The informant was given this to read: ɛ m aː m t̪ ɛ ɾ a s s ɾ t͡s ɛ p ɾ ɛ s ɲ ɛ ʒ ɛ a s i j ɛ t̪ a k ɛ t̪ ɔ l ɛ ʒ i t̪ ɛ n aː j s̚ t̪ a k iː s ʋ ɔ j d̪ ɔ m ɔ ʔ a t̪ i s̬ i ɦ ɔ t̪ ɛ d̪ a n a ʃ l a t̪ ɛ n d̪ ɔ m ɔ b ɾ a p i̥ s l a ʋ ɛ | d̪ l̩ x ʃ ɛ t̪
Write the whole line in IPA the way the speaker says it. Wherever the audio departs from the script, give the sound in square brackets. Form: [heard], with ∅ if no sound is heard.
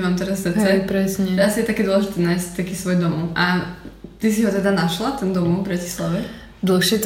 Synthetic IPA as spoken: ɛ m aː m t̪ ɛ ɾ a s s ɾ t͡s ɛ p ɾ ɛ s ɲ ɛ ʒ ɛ a s i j ɛ t̪ a k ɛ [d̪] ɔ l ɛ ʒ i t̪ ɛ n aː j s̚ t̪ a k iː s ʋ ɔ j d̪ ɔ m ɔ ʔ a t̪ i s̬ i ɦ ɔ t̪ ɛ d̪ a n a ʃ l a t̪ ɛ n d̪ ɔ m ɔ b ɾ a [c] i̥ s l a ʋ ɛ | d̪ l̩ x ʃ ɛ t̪